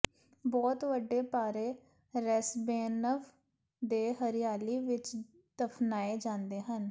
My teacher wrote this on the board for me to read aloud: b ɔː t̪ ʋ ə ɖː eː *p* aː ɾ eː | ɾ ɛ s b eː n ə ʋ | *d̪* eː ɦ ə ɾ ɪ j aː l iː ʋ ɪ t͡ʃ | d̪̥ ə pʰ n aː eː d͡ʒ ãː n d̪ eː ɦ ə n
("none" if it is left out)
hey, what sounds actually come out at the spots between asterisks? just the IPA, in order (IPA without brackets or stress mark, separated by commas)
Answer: p, d̪